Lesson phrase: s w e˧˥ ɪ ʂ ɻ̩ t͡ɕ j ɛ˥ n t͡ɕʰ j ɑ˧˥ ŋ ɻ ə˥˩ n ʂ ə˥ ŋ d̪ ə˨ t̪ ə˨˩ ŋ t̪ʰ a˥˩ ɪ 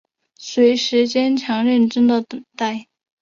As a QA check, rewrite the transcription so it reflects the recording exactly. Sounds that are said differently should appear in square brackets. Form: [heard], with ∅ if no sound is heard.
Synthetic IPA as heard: s w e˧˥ ɪ ʂ ɻ̩ t͡ɕ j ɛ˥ n t͡ɕʰ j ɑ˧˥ ŋ ɻ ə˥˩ n [ʈ͡ʂ] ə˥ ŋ d̪ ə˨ t̪ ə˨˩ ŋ [t̪] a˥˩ ɪ